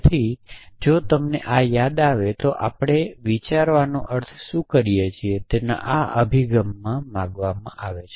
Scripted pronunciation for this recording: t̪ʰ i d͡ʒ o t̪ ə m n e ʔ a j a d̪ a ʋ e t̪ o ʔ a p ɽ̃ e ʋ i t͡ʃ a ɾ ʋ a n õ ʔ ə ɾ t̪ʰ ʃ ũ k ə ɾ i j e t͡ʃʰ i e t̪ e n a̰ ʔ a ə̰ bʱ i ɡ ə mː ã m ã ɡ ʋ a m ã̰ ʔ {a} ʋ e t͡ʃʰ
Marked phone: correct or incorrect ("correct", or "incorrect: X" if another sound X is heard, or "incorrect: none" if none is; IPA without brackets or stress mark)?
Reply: correct